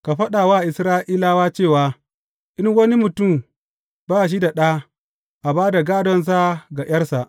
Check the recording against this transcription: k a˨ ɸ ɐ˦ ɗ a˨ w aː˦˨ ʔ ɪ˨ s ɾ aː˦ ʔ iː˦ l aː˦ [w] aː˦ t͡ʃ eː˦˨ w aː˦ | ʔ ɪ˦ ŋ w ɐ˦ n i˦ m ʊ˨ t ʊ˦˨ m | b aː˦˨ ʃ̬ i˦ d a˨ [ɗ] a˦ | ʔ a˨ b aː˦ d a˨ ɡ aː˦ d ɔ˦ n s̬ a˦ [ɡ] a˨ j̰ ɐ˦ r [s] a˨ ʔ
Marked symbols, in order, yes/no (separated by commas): yes, yes, yes, yes